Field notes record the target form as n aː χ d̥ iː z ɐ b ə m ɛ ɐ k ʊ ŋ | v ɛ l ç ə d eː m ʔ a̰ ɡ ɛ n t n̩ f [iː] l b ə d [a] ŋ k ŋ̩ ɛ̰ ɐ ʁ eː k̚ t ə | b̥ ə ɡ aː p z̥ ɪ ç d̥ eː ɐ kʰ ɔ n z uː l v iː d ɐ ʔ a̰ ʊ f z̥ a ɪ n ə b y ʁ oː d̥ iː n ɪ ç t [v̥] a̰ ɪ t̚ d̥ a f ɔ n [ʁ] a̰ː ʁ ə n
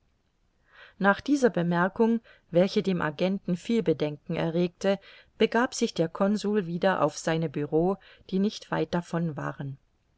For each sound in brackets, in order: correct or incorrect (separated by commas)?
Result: correct, incorrect, correct, incorrect